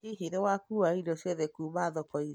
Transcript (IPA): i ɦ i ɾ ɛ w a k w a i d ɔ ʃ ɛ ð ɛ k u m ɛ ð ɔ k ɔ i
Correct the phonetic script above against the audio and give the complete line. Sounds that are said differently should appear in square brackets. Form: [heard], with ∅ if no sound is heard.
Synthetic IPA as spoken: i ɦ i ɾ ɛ w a k [u] a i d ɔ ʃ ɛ ð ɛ k u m [a] ð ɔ k ɔ i